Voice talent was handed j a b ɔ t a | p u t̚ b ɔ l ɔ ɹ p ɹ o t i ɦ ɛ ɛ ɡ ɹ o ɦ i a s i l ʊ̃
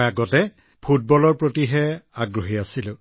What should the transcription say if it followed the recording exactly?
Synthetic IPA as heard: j a ɡ ɔ t ɛ | pʰ u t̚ b ɔ l ɔ ɹ p ɹ o t i ɦ ɛ a ɡ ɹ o ɦ i a s i l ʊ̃